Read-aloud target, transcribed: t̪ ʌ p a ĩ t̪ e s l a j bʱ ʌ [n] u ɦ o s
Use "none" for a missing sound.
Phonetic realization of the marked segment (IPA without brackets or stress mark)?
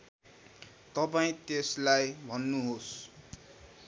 nː